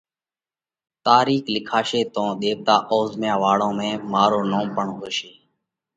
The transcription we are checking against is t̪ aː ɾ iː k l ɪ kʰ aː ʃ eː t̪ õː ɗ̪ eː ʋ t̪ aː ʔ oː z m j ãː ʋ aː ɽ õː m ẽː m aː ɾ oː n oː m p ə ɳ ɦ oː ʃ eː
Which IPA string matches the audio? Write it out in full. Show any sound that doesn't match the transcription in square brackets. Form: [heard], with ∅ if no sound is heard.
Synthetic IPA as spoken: t̪ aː ɾ iː k l ɪ kʰ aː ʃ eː t̪ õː ɗ̪ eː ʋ t̪ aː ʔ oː z m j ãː ʋ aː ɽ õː m ẽː m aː ɾ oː n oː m p ə ɳ ɦ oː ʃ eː